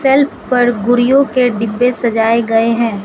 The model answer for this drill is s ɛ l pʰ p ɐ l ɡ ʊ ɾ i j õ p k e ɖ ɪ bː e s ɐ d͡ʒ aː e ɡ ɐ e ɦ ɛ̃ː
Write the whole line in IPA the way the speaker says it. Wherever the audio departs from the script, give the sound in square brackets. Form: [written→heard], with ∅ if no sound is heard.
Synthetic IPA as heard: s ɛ l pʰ p ɐ [l→ɾ] ɡ ʊ ɾ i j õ [p→∅] k e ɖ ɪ bː e s ɐ d͡ʒ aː e ɡ ɐ e ɦ ɛ̃ː